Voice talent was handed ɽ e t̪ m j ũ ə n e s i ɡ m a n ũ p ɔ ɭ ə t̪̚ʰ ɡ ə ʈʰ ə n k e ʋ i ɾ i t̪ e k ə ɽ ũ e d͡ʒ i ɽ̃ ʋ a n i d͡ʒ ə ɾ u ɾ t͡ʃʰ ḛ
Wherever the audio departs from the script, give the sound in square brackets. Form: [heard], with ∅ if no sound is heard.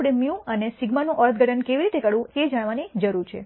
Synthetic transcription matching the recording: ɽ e [∅] m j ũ ə n e s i ɡ m a n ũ [ʔ] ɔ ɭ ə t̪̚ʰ ɡ ə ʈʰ ə n k e ʋ i ɾ i t̪ e k ə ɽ ũ e d͡ʒ [a] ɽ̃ ʋ a n i d͡ʒ ə ɾ u ɾ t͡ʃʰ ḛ

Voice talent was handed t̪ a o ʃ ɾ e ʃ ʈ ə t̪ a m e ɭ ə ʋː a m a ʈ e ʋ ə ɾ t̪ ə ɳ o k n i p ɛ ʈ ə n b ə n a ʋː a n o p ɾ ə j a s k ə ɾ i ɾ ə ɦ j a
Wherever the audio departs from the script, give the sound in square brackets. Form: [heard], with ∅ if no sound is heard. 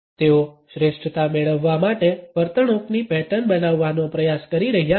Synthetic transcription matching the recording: t̪ [e] o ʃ ɾ e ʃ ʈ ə t̪ a m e ɭ ə ʋː a m a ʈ e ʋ ə ɾ t̪ ə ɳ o k n i p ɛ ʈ ə n b ə n a ʋː a n o p ɾ ə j a s k ə ɾ i ɾ ə ɦ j a

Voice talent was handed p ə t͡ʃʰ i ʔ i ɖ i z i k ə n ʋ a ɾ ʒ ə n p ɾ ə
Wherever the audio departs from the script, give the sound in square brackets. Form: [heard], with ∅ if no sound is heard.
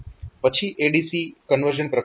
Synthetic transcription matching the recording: p ə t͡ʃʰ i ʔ [e] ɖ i [s] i k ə n ʋ [ə] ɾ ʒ ə n p ɾ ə

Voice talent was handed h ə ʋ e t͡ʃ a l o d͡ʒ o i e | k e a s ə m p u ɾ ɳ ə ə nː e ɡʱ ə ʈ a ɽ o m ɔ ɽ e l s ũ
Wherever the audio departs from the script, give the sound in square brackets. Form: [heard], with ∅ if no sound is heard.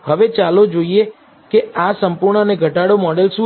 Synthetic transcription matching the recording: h ə ʋ e t͡ʃ a l o d͡ʒ o i e | k e a s ə m p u ɾ ɳ ə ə [n] e ɡʱ ə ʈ a ɽ o m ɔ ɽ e l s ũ

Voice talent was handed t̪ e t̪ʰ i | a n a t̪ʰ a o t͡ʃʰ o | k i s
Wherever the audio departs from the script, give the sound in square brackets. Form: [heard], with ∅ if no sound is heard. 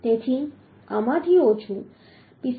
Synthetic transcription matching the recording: t̪ e t̪ʰ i | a [m] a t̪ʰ [i] o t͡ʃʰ [u] | [p] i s

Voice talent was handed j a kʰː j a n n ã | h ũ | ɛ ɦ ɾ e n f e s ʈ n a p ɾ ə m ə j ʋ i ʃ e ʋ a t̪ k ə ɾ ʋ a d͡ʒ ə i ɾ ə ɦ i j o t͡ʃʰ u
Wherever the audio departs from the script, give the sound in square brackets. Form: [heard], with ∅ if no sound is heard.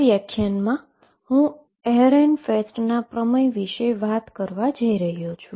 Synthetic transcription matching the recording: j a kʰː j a n [m] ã | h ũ | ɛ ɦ ɾ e n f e s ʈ n a p ɾ ə m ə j ʋ i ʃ e ʋ a t̪ k ə ɾ ʋ a d͡ʒ ə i ɾ ə ɦ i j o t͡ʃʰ u

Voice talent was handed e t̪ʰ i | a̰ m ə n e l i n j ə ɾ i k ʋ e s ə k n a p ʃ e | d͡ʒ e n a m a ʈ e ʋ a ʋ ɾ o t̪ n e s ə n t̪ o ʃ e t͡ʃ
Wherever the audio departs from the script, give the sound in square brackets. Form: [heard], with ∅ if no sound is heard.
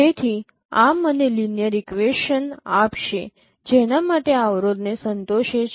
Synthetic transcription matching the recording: e t̪ʰ i | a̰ m ə n e l i n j ə ɾ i k ʋ e [ʃ] ə [∅] n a p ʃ e | d͡ʒ e n a m a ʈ e [∅] a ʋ ɾ o [d̪] n e s ə n t̪ o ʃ e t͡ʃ

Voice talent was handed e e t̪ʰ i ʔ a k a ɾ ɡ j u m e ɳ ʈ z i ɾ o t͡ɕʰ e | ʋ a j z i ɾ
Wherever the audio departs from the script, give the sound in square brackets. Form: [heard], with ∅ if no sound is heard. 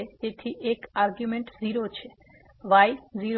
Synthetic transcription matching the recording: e e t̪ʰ i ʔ [e] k a ɾ ɡ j u m e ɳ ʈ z i ɾ o t͡ɕʰ e | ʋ a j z i ɾ

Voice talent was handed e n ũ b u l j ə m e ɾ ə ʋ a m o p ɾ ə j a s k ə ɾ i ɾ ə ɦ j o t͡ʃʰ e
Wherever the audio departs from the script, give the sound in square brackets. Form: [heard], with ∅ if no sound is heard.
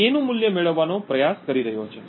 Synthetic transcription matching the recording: e n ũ [m] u l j ə m e [ɭ] ə [ʋː] a [n] o p ɾ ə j a s k ə ɾ i ɾ ə ɦ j o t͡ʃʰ e

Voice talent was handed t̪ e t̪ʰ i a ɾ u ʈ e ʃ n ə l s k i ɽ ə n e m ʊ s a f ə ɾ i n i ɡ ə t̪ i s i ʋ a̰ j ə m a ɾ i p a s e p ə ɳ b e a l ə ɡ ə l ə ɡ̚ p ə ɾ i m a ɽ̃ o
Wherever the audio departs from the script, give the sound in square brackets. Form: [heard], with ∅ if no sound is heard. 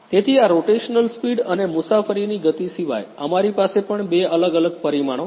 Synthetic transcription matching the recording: t̪ e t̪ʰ i a ɾ [o] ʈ e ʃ n ə l s [p] i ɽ ə n e m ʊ s a f ə ɾ i n i ɡ ə t̪ i s i ʋ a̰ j ə m a ɾ i p a s e p ə ɳ b e [ə] l ə ɡ ə l ə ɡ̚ p ə ɾ i m a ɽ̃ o

